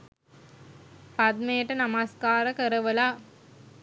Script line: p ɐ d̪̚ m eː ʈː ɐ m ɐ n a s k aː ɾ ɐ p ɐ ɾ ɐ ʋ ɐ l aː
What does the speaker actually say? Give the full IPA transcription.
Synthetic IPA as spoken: p ɐ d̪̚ m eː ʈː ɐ n ɐ m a s k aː ɾ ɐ k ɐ ɾ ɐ ʋ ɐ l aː